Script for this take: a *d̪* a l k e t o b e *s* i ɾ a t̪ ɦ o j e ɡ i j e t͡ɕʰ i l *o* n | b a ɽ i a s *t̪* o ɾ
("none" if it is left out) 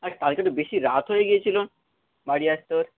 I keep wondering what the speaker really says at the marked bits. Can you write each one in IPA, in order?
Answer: t̪, ʃ, o, t̪

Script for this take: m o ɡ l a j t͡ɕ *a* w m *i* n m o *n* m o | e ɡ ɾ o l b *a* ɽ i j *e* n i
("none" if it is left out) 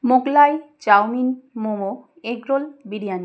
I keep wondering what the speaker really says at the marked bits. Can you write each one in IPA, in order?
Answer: a, i, none, i, a

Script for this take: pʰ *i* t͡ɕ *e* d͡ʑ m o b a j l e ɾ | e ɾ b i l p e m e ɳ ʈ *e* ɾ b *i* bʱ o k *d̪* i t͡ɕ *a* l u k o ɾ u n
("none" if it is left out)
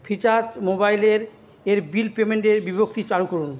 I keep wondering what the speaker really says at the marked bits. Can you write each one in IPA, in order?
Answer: i, a, e, i, t̪, a

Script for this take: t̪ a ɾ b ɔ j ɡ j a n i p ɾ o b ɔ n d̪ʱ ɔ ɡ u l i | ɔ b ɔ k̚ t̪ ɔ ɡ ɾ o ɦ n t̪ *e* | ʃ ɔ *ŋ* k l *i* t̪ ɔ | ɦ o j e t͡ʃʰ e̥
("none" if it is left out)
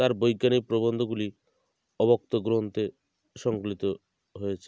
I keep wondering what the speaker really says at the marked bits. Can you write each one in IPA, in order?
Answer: e, ŋ, i

